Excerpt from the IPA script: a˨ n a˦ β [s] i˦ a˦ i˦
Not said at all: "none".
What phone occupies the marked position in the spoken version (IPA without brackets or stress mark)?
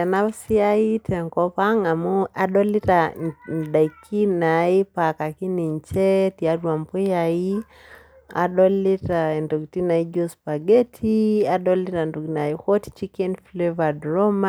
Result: s